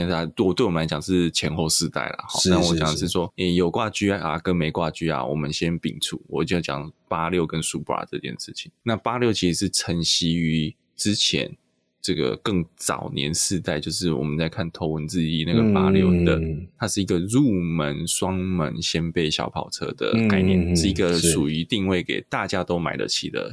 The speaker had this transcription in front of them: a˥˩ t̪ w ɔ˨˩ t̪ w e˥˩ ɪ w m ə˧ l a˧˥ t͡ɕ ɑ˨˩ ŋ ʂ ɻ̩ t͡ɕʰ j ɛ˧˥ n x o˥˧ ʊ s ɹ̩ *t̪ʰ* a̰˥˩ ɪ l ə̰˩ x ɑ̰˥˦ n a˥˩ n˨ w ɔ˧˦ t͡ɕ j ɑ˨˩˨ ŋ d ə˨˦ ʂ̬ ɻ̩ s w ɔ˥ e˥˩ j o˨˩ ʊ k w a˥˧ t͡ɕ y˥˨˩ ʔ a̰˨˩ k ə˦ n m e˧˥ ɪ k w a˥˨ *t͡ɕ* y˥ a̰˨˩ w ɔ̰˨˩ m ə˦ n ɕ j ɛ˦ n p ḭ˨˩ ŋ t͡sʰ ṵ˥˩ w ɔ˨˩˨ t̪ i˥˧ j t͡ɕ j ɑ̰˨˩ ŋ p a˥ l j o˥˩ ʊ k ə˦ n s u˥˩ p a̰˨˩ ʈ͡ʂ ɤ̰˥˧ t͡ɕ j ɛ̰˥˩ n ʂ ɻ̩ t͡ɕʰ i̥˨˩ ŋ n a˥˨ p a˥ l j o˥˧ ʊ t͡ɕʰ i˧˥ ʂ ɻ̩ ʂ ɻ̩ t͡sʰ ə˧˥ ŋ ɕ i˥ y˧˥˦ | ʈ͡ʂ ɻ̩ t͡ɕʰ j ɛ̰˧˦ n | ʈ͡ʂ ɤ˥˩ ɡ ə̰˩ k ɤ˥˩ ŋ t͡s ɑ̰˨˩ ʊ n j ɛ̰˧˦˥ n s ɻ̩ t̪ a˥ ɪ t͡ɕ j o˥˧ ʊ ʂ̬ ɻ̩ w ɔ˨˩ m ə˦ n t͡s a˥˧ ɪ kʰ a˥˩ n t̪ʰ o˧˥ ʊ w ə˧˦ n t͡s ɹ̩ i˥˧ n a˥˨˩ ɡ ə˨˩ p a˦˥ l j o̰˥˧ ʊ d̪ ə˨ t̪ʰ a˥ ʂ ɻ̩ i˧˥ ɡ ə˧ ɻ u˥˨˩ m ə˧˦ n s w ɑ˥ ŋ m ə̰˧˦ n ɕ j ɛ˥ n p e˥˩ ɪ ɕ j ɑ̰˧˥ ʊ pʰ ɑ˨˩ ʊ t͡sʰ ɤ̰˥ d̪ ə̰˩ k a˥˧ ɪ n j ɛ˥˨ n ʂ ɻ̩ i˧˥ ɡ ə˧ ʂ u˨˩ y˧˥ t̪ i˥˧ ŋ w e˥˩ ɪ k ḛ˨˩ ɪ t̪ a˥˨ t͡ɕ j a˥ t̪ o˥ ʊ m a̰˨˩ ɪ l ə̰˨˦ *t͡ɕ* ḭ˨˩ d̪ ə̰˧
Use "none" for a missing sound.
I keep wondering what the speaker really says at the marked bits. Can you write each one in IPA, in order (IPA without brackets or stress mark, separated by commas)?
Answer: t̪, t͡ɕ, t͡ɕʰ